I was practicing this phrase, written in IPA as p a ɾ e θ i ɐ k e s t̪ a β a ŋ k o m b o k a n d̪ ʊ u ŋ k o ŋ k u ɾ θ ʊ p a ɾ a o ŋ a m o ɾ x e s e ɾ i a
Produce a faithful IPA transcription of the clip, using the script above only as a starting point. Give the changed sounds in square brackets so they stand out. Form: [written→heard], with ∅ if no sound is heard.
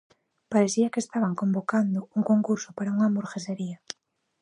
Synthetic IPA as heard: p a ɾ e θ i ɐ k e s t̪ a β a ŋ k o m b o k a n d̪ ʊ u ŋ k o ŋ k u ɾ [θ→s] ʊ p a ɾ a [o→u] ŋ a m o ɾ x e s e ɾ i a